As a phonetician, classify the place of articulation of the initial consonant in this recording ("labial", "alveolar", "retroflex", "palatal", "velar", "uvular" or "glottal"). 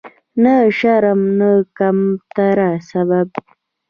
alveolar